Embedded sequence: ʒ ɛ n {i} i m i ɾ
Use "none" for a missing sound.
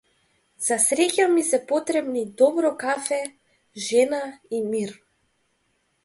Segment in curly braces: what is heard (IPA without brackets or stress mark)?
a